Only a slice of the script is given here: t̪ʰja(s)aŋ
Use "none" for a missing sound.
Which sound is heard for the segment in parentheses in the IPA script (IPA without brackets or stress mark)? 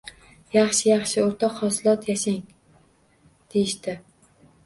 ʃ